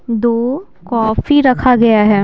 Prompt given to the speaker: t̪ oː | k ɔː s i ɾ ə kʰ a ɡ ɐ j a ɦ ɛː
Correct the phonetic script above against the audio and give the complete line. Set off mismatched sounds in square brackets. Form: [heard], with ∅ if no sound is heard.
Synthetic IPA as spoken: [d̪] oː | k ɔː [f] i ɾ [ɐ] kʰ a ɡ ɐ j a ɦ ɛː